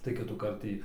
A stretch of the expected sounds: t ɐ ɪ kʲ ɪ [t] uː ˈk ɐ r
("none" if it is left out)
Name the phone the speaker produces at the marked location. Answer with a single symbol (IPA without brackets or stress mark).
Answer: t